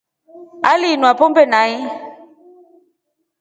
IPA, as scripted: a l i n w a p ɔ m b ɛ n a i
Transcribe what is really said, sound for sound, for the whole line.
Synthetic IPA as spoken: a l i n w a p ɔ m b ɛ n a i